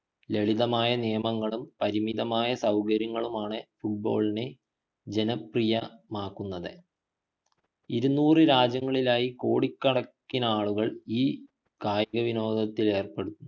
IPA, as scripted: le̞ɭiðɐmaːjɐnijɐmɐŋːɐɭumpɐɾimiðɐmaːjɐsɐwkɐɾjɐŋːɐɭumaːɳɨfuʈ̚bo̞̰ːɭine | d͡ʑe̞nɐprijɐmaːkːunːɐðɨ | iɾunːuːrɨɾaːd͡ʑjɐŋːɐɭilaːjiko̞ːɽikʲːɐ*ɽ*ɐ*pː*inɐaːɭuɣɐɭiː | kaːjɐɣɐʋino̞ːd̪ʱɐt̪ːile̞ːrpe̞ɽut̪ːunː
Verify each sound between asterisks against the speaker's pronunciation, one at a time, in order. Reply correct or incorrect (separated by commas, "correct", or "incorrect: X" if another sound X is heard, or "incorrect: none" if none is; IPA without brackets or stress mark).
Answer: correct, incorrect: kː